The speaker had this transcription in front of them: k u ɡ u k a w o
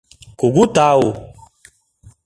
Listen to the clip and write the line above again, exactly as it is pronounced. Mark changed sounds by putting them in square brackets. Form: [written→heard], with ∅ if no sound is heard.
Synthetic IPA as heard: k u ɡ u [k→t] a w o